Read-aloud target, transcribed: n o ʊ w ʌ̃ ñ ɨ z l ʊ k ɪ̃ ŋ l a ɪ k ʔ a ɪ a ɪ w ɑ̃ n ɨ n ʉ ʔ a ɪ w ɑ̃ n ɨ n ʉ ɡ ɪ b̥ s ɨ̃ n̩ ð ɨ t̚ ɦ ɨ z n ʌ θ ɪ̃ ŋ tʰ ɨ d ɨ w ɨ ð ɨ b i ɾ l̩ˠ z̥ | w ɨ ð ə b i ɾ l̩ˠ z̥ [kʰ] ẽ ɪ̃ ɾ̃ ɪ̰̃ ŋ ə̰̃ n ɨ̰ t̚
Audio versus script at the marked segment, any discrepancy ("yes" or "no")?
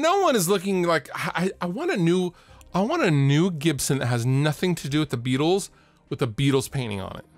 yes